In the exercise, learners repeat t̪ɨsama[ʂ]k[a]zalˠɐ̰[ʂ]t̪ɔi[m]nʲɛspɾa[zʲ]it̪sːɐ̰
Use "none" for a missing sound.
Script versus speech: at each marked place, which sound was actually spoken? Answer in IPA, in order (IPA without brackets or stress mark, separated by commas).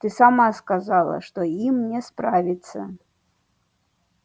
s, a, ʂ, m, vʲ